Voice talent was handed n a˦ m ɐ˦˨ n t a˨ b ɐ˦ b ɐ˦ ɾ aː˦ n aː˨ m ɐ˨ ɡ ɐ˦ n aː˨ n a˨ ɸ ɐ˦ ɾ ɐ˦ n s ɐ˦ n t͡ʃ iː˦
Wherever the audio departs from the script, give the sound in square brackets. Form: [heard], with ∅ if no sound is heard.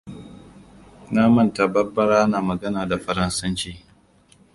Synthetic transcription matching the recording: n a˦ m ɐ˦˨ n t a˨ b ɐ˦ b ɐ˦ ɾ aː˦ n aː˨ m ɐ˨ ɡ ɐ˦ n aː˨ [d] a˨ ɸ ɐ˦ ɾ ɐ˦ n s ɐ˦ n t͡ʃ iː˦